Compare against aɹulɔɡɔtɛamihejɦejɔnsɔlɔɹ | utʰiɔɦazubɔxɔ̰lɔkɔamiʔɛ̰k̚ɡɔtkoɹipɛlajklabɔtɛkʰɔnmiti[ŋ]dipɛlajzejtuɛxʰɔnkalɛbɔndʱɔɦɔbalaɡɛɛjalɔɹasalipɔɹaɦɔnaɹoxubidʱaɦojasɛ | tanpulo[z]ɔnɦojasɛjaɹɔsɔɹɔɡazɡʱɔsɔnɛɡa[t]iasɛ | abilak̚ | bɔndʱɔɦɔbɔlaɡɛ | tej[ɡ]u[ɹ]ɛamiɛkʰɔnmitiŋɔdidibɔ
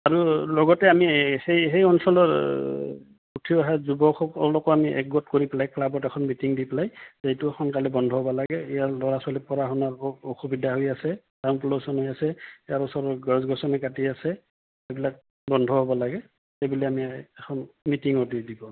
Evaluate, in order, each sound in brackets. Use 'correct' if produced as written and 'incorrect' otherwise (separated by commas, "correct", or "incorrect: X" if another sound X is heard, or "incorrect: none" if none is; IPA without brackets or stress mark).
correct, incorrect: s, correct, incorrect: b, incorrect: l